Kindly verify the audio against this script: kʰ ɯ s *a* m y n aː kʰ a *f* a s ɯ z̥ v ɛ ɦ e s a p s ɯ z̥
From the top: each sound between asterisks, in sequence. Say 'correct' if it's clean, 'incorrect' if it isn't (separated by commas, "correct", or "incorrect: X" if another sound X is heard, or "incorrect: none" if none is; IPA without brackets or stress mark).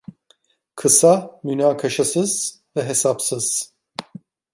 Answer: correct, incorrect: ʃ